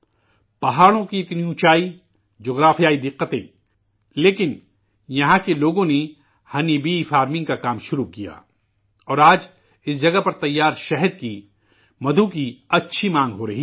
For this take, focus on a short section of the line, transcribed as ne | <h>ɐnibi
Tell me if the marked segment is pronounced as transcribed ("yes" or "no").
yes